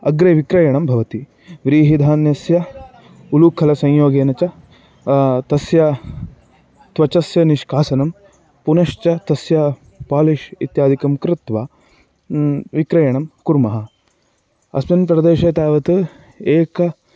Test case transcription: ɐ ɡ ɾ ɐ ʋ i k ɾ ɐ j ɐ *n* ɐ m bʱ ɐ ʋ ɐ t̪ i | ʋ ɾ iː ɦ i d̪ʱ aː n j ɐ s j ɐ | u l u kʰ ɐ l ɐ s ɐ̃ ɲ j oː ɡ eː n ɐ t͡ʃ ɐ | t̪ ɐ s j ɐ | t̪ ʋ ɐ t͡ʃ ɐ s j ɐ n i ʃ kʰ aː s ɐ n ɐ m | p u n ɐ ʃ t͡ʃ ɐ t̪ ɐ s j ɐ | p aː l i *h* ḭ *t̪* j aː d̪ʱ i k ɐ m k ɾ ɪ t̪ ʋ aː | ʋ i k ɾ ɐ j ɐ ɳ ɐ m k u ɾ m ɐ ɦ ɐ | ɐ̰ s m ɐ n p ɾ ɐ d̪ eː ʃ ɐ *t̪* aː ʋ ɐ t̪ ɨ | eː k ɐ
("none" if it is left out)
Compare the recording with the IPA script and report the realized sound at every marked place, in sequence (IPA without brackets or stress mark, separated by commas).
ɳ, ʃ, t̪, t̪